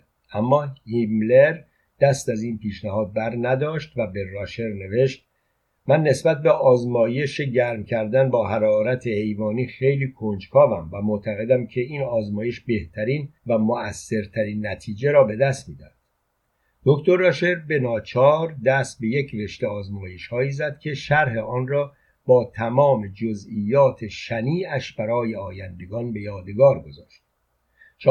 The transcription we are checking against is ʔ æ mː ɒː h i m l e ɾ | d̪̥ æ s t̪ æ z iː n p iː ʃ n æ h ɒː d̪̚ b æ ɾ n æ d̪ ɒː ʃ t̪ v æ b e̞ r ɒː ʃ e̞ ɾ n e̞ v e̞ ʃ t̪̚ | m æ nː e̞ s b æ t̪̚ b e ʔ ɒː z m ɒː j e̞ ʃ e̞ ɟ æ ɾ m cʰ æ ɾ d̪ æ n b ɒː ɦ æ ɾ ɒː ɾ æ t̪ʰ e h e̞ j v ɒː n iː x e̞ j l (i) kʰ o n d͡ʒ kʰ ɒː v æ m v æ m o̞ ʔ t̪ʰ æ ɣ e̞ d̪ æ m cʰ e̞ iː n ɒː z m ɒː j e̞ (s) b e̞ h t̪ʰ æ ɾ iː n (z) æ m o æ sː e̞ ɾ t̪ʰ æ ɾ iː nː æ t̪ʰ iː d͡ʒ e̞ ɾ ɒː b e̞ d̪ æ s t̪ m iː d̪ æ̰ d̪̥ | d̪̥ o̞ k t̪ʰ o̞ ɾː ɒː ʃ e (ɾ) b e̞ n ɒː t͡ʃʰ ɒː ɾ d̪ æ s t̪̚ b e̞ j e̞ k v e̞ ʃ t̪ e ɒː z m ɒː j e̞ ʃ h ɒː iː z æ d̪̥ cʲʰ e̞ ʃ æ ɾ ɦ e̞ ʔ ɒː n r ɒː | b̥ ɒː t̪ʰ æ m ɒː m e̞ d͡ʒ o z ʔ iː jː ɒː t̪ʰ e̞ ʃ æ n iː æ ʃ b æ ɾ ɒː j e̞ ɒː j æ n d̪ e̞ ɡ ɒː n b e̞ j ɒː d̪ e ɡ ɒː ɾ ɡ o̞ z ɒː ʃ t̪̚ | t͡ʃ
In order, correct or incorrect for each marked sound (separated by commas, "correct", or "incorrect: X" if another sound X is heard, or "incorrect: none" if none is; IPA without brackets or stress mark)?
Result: incorrect: iː, incorrect: ʃ, incorrect: v, correct